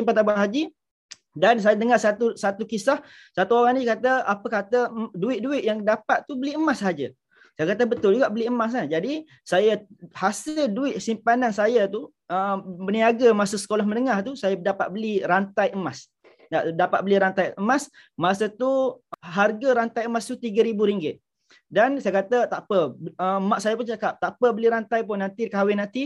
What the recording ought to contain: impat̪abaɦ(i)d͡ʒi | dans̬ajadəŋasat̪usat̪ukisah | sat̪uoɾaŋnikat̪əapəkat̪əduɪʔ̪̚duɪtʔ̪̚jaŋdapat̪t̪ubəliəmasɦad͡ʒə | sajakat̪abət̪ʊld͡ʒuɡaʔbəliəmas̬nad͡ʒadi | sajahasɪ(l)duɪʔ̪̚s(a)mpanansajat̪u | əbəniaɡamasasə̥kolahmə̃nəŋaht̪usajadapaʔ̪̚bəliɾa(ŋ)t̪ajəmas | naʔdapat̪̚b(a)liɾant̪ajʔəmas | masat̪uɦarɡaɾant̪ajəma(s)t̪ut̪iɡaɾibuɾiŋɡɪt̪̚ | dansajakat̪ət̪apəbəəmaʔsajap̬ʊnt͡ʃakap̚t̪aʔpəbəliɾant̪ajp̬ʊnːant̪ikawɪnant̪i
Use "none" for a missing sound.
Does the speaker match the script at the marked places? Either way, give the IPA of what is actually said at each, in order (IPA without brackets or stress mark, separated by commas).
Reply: a, l, i, n, ə, s